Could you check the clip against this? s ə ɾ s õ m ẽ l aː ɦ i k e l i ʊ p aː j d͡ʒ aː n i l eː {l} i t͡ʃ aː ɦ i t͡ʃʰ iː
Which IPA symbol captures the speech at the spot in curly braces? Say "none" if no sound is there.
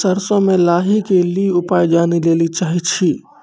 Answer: l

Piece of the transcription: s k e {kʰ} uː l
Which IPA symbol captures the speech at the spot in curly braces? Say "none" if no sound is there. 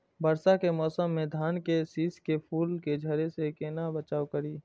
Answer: pʰ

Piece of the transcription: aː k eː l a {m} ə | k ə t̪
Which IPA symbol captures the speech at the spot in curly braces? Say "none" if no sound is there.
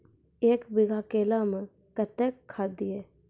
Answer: m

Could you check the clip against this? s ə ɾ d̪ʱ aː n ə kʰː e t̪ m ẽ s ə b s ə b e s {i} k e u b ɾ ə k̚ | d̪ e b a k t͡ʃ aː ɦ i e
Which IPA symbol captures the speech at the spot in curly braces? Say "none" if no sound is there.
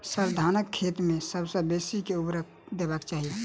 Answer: i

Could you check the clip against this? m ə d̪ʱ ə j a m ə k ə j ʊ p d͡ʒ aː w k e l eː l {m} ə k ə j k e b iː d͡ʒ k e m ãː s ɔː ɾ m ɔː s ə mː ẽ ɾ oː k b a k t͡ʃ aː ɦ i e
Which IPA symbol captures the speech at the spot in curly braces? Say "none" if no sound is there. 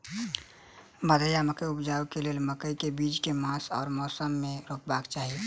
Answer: m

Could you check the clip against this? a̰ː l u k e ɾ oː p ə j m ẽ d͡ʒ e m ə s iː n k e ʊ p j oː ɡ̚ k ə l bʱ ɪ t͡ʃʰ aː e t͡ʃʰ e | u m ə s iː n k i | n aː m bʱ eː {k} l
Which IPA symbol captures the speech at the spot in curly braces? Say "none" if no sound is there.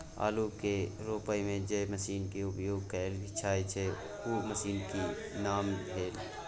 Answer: none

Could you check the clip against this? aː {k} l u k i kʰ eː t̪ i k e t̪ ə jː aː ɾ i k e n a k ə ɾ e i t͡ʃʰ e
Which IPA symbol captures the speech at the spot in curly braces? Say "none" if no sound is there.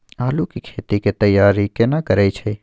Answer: none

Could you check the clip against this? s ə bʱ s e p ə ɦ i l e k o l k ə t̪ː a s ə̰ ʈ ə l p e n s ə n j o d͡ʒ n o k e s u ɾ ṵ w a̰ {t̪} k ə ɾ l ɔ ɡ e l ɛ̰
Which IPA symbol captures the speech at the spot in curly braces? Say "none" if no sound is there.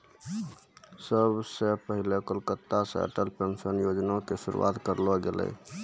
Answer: t̪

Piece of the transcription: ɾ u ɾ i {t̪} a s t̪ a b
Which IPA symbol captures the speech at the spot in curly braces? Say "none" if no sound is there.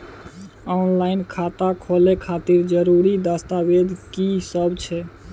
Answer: d̪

